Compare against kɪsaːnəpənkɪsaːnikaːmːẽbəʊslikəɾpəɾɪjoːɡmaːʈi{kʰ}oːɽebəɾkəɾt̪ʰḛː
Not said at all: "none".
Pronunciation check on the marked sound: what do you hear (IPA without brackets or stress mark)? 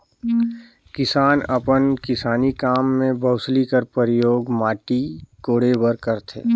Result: k